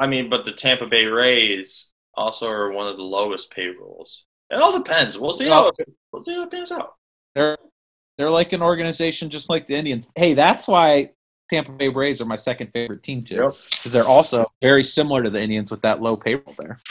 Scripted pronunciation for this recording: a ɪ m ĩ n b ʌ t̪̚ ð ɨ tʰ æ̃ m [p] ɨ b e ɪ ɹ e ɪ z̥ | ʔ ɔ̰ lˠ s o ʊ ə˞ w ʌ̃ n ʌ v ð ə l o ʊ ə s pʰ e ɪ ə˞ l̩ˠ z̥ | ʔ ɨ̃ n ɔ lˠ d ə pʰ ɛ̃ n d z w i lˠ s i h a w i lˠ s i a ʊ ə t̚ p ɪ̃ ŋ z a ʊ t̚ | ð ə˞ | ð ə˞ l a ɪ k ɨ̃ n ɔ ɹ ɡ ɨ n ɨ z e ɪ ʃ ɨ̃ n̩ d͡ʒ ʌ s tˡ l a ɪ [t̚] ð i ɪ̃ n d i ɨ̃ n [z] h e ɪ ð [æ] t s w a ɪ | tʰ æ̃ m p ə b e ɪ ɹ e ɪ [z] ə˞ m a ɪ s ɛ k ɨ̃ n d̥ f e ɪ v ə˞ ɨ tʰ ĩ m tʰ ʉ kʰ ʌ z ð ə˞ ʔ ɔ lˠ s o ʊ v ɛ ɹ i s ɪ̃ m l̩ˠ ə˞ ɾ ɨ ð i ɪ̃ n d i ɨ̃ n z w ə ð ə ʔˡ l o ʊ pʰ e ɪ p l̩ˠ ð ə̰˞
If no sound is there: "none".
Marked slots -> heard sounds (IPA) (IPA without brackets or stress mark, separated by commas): p, k̚, z, æ, z